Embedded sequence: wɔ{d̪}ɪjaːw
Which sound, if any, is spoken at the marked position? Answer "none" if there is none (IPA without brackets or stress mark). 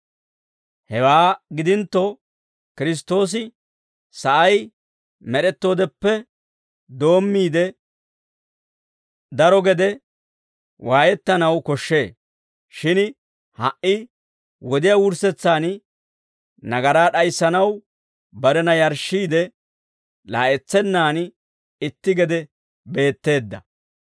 d̪